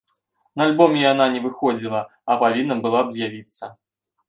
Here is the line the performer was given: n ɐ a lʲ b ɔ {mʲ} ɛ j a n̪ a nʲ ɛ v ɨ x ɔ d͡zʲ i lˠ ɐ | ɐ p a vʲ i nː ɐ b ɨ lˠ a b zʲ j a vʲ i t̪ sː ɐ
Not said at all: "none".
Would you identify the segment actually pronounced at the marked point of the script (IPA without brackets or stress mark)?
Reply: mʲ